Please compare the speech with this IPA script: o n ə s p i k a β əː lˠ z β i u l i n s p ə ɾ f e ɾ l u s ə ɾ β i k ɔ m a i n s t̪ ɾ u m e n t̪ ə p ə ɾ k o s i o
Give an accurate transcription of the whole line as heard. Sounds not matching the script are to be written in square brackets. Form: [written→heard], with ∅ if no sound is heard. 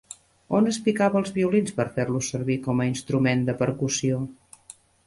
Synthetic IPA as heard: o n ə s p i k a β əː lˠ z β i u l i n s p ə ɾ f e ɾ l u s ə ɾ β i k ɔ m [a→ə] i n s t̪ ɾ u m e n [t̪→d̪] ə p ə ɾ k [o→u] s i o